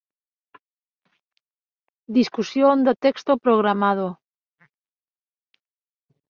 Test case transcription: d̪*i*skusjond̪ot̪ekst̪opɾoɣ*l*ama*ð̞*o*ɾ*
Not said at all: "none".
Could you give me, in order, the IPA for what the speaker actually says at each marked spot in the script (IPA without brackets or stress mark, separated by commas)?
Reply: i, ɾ, ð̞, none